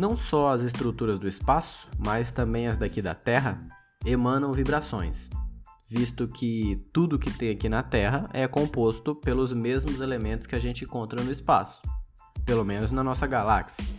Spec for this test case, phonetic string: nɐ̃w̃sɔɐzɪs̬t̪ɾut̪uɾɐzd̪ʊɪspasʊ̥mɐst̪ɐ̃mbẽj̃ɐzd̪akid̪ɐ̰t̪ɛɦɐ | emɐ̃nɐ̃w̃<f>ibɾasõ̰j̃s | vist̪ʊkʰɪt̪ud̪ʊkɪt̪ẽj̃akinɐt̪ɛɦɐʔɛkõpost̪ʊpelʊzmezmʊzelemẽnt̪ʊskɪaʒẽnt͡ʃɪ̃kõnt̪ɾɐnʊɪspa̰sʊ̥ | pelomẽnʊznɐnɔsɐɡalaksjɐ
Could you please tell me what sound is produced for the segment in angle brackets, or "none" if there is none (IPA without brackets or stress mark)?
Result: v